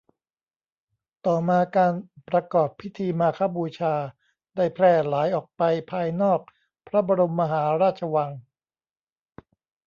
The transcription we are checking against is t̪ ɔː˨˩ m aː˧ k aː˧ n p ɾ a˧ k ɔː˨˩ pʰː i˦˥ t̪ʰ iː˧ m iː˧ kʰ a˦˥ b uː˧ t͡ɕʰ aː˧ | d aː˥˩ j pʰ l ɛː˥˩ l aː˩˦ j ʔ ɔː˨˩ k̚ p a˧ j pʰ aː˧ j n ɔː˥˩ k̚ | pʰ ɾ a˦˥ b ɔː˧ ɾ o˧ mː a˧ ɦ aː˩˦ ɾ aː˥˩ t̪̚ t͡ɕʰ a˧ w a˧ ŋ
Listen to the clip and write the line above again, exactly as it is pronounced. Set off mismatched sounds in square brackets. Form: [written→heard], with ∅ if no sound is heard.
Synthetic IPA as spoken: t̪ ɔː˨˩ m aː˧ k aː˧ n p ɾ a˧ k ɔː˨˩ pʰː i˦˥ t̪ʰ iː˧ m [iː˧→aː˧] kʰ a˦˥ b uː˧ t͡ɕʰ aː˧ | d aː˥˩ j pʰ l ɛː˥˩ l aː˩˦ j ʔ ɔː˨˩ k̚ p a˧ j pʰ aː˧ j n ɔː˥˩ k̚ | pʰ ɾ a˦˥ b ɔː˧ ɾ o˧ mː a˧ ɦ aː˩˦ ɾ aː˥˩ t̪̚ t͡ɕʰ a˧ w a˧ ŋ